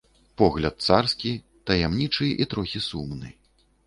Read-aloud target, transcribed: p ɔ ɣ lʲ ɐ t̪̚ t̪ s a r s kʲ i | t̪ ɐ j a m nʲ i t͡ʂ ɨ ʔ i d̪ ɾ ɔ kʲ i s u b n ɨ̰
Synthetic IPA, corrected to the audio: p ɔ ɣ lʲ ɐ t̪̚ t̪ s a r s kʲ i | t̪ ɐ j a m nʲ i t͡ʂ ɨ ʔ i t̪ ɾ ɔ xʲ i s u m n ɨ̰